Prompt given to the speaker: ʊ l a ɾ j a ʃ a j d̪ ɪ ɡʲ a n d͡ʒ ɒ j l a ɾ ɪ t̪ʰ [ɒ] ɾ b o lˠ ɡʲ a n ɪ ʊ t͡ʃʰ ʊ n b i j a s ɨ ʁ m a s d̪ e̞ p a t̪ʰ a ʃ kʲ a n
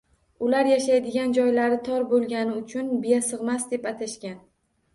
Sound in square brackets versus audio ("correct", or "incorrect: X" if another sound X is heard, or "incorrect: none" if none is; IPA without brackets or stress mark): correct